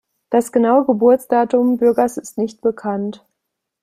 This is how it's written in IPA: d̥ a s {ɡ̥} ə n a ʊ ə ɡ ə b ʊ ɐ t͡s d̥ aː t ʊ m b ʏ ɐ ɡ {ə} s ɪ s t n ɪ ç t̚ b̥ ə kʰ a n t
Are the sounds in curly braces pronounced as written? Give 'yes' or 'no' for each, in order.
yes, no

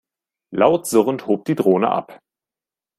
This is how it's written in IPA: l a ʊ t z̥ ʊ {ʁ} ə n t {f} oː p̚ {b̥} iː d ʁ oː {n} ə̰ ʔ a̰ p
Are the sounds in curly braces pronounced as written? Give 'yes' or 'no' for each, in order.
yes, no, no, yes

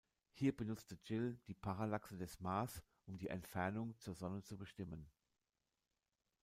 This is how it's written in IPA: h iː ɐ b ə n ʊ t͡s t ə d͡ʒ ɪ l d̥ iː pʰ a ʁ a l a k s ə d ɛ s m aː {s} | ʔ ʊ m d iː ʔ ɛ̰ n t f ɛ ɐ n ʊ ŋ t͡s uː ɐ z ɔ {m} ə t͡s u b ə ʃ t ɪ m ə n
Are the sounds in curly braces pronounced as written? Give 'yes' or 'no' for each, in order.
yes, no

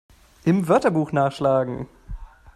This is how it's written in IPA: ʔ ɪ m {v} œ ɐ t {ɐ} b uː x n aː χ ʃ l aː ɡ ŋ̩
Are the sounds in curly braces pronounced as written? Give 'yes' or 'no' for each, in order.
yes, yes

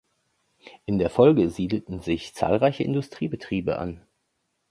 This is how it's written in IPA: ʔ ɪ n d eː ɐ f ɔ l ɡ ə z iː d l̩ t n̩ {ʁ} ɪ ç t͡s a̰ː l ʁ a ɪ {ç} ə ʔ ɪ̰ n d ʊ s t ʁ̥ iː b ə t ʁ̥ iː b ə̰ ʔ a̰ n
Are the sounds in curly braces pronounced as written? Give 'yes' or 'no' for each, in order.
no, yes

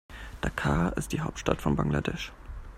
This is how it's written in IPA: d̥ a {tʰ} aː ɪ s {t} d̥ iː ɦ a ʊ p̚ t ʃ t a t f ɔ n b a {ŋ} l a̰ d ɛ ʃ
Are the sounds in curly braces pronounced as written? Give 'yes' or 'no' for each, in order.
no, yes, yes

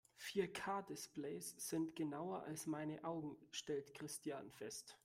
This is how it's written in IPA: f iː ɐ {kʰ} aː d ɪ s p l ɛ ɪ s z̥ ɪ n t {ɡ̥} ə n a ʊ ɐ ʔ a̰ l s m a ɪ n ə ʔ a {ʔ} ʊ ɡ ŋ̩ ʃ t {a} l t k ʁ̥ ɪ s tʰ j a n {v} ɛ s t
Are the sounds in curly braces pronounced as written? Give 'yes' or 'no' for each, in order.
yes, yes, no, no, no

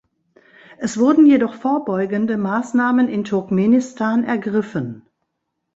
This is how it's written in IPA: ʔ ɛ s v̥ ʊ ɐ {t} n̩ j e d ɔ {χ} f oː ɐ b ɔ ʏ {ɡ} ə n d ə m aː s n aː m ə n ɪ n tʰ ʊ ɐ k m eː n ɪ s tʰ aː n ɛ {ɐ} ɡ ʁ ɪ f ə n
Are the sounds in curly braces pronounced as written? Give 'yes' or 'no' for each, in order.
no, yes, yes, yes

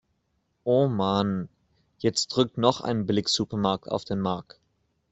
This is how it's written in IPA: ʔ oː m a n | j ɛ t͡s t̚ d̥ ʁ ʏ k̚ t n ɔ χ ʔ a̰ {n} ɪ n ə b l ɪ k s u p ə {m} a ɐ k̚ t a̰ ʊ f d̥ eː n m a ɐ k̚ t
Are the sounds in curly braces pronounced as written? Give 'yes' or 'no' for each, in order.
no, yes

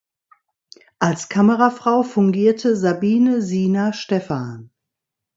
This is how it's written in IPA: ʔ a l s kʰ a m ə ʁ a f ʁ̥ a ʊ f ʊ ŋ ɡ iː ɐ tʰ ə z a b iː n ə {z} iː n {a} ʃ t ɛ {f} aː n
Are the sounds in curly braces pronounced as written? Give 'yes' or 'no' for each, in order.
yes, yes, yes

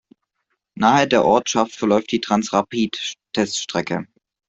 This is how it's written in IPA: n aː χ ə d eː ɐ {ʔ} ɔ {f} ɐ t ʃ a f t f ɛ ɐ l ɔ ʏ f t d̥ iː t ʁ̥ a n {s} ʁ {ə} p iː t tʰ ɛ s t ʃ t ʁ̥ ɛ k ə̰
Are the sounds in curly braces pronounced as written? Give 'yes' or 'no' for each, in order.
yes, no, yes, no

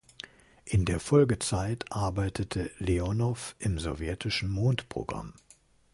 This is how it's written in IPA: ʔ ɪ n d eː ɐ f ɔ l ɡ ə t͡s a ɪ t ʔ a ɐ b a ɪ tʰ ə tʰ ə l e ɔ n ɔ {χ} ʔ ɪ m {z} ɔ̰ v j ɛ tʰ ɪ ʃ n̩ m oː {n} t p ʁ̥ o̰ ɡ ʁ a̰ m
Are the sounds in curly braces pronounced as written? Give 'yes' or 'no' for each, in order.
no, yes, yes

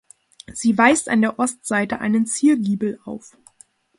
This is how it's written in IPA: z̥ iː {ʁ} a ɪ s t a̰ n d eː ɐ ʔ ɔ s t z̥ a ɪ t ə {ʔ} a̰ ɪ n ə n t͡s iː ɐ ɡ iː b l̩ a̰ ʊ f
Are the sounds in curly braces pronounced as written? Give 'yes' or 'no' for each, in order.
no, yes

